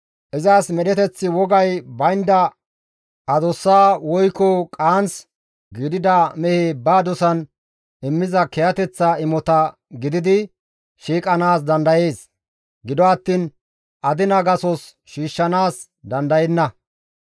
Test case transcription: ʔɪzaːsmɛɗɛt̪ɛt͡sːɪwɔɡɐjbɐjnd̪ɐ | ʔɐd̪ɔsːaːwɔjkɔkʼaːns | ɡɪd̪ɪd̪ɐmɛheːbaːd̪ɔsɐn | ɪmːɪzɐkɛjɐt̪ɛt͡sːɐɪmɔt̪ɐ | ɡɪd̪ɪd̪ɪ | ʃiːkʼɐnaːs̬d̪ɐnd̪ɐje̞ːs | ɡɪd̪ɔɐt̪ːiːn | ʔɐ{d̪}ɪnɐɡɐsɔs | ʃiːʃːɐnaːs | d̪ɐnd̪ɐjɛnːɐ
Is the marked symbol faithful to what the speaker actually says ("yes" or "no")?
yes